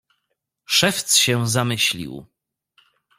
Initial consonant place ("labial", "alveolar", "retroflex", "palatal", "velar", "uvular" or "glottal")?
retroflex